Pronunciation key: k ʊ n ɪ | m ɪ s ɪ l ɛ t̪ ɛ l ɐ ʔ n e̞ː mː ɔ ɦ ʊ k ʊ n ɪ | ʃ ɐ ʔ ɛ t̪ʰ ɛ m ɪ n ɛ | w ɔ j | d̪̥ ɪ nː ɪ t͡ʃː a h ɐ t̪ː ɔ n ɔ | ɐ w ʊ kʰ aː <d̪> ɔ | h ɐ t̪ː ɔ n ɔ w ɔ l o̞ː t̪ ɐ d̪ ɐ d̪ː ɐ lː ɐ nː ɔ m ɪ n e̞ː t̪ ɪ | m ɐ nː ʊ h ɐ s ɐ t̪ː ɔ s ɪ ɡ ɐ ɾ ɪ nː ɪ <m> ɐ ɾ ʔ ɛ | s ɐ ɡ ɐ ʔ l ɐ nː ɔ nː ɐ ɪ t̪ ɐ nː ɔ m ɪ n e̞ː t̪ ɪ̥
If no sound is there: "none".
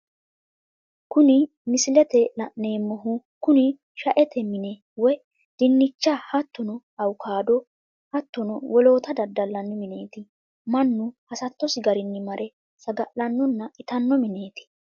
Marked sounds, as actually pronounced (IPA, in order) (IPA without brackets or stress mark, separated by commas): d̪, m